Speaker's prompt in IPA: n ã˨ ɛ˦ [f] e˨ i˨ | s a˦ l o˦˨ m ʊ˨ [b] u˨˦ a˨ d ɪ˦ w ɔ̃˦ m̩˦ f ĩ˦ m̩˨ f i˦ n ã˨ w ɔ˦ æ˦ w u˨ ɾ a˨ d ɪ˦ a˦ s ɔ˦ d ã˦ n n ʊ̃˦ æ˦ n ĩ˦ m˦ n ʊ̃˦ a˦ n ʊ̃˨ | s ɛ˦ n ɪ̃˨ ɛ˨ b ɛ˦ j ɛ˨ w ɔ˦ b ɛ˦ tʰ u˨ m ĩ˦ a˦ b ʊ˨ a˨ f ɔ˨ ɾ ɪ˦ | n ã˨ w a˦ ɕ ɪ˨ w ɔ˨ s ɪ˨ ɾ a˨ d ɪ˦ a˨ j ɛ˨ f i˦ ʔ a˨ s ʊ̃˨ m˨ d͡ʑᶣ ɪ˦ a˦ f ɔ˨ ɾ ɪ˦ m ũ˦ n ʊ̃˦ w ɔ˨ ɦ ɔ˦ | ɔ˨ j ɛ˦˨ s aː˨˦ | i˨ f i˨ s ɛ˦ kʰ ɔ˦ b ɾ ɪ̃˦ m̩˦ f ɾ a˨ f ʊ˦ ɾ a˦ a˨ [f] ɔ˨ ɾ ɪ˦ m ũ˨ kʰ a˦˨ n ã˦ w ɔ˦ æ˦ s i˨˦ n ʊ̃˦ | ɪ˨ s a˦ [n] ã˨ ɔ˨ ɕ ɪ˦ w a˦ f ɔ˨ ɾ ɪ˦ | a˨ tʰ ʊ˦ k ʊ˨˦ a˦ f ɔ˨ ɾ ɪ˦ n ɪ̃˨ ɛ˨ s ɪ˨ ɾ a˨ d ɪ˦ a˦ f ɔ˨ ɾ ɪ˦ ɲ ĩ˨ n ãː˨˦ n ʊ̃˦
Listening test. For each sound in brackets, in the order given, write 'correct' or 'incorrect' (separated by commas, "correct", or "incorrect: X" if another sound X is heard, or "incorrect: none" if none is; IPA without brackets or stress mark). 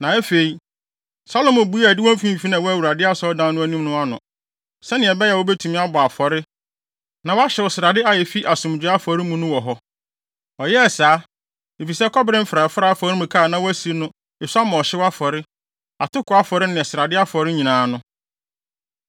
correct, correct, correct, incorrect: m